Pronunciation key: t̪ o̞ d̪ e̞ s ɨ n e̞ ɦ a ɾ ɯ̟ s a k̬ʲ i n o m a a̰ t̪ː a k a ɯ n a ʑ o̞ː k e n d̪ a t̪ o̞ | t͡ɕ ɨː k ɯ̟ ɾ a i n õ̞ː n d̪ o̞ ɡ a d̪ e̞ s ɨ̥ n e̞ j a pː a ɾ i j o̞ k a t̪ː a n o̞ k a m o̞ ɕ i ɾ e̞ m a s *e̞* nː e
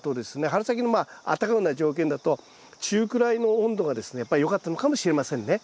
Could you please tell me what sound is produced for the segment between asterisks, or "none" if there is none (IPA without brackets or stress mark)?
ẽ̞